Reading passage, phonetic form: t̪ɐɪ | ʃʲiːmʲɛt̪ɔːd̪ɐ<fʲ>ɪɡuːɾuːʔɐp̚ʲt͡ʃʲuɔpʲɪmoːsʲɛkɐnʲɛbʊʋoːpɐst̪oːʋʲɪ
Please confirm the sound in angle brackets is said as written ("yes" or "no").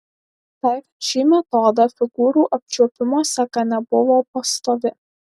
yes